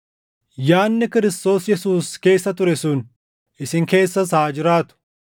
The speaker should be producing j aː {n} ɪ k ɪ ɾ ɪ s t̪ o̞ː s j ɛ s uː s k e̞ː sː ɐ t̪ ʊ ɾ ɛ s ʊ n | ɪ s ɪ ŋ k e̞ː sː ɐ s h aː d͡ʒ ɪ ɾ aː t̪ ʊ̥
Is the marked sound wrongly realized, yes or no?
yes